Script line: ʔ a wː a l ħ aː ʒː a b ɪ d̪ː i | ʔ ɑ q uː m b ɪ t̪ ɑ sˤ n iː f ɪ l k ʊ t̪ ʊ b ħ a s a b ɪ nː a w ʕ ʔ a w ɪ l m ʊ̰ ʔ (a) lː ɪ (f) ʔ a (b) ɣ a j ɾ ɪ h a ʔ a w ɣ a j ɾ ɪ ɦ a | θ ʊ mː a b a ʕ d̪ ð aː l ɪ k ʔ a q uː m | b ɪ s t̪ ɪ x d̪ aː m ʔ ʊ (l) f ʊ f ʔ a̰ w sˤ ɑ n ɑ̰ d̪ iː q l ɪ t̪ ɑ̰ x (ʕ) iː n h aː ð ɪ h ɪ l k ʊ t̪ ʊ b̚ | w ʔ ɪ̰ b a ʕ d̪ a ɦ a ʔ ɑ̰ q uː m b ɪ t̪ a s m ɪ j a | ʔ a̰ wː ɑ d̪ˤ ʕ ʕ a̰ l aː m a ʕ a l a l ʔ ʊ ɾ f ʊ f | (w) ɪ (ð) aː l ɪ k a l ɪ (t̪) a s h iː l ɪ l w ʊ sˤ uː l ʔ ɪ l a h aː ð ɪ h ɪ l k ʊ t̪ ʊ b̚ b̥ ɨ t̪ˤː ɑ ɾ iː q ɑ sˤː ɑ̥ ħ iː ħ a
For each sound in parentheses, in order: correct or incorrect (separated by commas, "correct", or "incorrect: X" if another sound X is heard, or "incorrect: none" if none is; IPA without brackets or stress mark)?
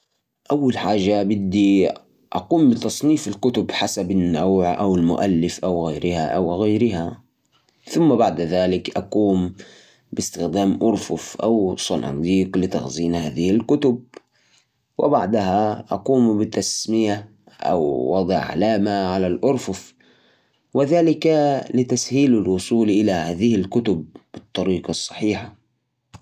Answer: correct, correct, incorrect: w, incorrect: ɾ, incorrect: z, correct, correct, correct